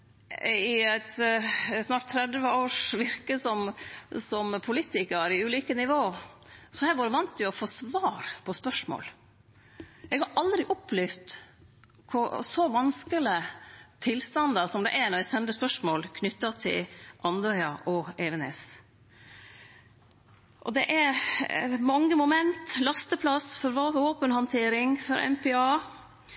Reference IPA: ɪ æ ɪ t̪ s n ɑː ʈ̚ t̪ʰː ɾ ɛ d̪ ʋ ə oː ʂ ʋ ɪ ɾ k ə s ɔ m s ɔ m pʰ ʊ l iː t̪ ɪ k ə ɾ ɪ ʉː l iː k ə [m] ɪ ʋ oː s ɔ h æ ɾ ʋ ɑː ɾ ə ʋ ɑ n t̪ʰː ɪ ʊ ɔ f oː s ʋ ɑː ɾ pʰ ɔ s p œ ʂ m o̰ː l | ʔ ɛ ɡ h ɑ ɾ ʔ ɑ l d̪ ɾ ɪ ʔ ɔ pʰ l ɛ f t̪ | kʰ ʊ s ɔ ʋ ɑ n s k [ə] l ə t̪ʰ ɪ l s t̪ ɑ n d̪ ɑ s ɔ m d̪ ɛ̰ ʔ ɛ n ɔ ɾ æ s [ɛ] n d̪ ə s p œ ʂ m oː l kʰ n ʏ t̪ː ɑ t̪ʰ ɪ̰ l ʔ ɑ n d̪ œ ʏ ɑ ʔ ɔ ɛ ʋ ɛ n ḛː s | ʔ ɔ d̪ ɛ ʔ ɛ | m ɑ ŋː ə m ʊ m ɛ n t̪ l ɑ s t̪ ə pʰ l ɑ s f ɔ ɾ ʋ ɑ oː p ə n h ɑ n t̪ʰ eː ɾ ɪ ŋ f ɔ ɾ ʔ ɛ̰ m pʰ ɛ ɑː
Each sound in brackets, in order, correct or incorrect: incorrect: n, correct, correct

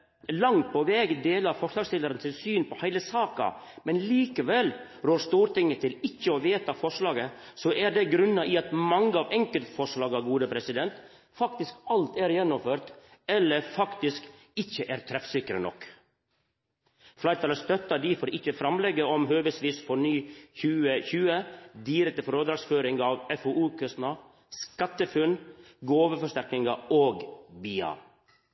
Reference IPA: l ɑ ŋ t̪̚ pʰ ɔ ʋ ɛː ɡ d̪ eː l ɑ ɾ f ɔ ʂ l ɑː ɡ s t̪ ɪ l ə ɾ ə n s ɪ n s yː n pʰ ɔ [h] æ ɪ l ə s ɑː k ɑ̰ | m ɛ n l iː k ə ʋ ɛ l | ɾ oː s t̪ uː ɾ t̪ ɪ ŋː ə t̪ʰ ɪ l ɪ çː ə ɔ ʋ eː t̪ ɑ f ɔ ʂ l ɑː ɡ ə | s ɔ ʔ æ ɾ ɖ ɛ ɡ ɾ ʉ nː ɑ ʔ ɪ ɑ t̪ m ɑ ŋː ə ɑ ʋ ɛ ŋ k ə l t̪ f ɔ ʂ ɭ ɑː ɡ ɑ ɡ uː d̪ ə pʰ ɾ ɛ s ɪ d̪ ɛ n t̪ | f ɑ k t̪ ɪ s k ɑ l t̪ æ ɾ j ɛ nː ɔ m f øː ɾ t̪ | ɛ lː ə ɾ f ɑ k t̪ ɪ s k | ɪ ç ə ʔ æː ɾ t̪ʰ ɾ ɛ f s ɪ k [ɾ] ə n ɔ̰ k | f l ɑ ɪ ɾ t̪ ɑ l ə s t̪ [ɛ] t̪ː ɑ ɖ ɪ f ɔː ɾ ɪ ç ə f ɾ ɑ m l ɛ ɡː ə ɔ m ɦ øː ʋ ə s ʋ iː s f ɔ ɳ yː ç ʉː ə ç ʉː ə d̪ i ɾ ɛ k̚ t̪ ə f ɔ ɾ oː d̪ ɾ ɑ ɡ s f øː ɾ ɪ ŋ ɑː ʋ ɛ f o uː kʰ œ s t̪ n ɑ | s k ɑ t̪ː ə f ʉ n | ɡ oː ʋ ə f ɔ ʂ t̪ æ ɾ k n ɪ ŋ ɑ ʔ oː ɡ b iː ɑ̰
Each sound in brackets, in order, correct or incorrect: correct, correct, incorrect: œ

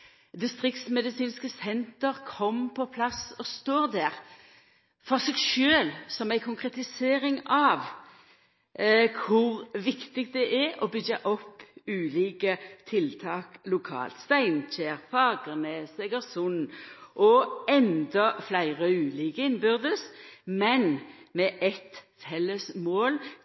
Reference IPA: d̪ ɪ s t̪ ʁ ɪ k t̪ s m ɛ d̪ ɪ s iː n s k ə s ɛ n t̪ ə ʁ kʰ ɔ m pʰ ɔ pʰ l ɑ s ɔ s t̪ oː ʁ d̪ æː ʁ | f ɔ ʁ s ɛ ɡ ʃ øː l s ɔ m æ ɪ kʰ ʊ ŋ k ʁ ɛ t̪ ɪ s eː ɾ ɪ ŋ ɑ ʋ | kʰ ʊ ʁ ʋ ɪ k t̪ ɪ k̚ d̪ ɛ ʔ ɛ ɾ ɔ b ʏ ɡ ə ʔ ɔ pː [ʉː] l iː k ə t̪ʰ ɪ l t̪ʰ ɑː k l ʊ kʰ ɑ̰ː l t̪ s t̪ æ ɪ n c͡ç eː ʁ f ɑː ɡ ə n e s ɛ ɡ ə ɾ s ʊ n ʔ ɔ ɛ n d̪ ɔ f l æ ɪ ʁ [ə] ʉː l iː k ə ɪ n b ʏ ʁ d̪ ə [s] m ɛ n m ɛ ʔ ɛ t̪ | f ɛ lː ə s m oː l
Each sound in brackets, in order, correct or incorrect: correct, correct, correct

